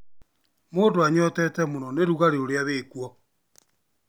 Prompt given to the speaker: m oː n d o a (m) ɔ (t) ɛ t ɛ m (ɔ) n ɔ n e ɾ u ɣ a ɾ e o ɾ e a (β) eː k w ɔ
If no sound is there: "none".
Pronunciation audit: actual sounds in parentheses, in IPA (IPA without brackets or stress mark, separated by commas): ɲ, t, o, β